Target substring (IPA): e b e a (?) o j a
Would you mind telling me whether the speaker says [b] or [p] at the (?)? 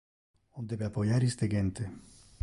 p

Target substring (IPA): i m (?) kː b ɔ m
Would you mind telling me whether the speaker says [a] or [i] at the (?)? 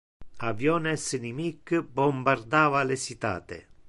i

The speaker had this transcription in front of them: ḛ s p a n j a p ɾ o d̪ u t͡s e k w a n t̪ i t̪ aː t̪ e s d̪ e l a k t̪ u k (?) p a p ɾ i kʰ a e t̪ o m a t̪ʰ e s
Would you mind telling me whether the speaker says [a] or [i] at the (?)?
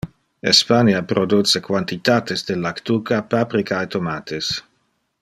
a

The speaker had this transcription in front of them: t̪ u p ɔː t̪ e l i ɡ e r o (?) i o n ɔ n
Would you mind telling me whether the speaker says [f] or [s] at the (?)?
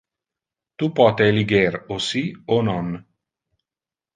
s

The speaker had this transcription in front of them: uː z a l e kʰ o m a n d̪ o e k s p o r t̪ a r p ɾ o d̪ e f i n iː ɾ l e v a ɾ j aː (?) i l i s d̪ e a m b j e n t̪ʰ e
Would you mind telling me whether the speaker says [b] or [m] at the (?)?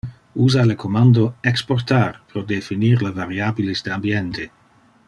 b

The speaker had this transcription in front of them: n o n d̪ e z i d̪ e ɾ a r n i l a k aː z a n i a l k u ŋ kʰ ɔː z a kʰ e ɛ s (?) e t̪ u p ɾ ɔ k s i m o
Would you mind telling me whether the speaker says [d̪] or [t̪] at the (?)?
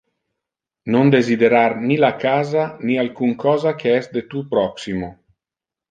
d̪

